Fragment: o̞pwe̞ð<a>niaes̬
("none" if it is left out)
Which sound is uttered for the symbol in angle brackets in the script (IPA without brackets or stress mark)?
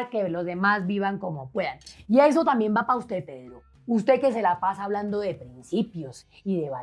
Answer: a